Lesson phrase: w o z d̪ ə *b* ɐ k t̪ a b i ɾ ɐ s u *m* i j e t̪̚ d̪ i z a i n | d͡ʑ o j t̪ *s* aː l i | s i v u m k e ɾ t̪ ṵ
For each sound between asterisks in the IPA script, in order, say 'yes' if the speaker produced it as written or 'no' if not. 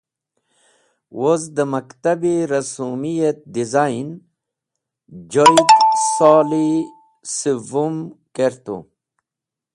no, yes, yes

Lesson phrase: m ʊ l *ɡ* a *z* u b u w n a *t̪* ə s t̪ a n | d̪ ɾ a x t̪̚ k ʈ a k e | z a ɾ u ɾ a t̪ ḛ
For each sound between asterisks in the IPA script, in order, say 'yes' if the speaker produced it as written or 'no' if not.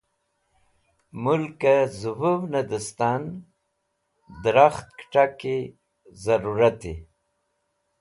no, yes, no

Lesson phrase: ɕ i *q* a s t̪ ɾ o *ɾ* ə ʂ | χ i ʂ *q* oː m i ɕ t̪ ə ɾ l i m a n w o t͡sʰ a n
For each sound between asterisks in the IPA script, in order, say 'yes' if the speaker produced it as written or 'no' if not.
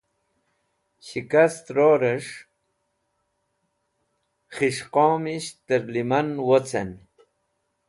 no, yes, yes

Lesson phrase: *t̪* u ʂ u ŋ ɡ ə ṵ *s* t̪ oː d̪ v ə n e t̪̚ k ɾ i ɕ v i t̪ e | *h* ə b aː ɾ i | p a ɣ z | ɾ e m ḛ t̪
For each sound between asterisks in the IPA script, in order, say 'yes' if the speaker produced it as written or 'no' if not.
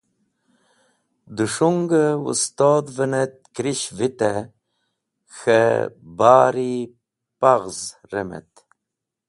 no, yes, no

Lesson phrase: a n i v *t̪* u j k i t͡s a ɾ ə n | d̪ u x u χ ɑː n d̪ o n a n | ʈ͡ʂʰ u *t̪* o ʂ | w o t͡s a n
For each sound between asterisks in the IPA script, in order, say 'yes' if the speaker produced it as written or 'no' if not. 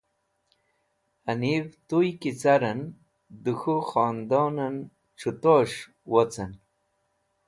yes, yes

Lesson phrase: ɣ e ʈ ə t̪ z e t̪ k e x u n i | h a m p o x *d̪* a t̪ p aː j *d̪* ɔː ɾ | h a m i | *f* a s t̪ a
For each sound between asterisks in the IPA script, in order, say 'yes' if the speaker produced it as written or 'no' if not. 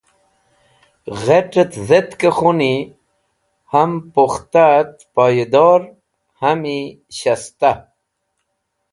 no, yes, no

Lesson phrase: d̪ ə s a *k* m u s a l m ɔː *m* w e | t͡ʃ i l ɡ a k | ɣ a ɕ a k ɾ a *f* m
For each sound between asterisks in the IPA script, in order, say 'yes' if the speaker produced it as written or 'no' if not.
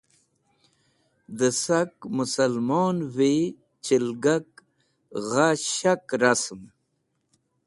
yes, no, no

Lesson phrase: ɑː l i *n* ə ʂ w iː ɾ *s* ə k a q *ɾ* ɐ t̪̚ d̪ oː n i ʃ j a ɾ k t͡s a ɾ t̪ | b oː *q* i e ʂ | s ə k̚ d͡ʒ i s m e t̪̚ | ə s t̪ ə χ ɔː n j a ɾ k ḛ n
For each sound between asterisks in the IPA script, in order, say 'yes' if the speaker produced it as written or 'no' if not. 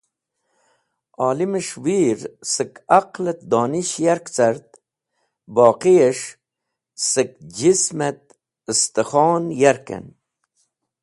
no, yes, no, yes

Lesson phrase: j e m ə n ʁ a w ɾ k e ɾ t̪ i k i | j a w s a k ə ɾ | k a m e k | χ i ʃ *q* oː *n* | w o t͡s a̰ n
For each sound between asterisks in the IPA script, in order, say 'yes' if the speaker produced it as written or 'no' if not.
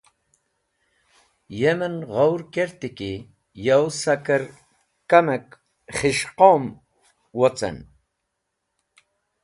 yes, no

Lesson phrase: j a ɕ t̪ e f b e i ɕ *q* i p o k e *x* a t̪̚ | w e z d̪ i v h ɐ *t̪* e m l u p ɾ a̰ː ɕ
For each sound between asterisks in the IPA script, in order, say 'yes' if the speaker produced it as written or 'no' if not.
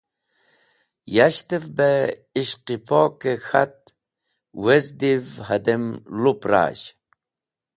yes, yes, no

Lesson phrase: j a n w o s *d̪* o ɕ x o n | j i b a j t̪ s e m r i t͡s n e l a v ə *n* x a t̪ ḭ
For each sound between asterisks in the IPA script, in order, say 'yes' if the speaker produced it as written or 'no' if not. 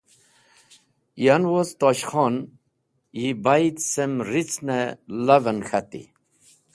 no, yes

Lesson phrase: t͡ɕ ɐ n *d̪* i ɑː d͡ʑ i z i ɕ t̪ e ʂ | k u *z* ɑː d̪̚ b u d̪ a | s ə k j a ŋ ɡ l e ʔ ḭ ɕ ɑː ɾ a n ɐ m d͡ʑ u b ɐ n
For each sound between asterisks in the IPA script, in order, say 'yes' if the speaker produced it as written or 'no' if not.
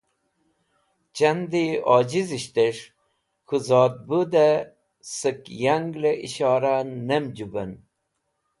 yes, yes

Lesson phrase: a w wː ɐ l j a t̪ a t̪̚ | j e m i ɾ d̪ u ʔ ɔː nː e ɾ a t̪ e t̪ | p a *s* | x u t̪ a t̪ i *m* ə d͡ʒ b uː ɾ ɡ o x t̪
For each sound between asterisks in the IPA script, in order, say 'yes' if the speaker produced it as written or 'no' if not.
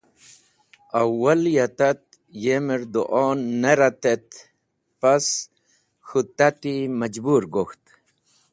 yes, yes

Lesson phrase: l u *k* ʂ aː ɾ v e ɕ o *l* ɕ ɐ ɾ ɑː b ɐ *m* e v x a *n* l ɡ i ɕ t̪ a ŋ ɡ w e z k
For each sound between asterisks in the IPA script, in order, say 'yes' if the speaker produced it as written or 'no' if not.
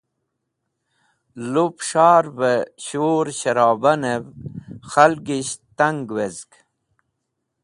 no, no, no, no

